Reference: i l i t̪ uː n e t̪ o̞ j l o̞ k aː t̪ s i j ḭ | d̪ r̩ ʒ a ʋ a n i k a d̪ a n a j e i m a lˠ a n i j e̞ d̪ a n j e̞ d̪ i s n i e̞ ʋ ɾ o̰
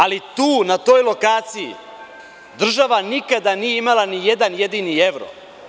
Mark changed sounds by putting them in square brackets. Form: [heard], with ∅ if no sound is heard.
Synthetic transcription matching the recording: [a] l i t̪ uː n [a] t̪ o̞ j l o̞ k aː t̪ s i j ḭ | d̪ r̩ ʒ a ʋ a n i k a d̪ a n [i] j e i m a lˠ a n i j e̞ d̪ a n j e̞ d̪ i [∅] n i e̞ ʋ ɾ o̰